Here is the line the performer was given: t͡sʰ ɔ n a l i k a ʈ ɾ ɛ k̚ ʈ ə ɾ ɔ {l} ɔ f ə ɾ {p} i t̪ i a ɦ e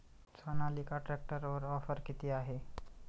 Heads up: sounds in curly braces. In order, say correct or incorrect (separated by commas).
incorrect, incorrect